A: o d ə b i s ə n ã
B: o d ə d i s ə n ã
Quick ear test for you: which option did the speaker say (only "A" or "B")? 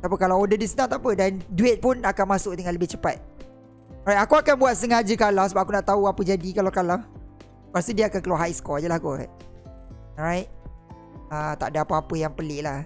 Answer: B